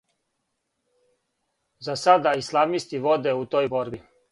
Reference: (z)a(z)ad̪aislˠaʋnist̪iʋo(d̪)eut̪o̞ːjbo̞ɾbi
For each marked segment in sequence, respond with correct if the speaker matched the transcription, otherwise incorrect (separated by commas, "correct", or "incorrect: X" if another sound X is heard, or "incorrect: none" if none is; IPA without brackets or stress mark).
correct, incorrect: s, correct